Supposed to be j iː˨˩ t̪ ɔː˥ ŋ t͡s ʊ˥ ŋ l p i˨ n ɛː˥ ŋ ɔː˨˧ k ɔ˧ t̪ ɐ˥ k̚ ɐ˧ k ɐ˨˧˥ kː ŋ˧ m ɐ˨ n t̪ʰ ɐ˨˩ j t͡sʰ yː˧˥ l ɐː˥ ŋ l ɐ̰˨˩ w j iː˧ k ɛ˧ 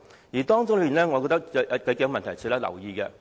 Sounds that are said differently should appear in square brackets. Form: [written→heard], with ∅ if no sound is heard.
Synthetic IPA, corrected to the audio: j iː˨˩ t̪ ɔː˥ ŋ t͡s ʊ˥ ŋ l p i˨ n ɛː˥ ŋ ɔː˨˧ k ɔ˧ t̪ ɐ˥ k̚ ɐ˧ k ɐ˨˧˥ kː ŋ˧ m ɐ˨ n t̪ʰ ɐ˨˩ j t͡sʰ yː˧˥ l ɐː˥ [ŋ→∅] l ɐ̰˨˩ w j iː˧ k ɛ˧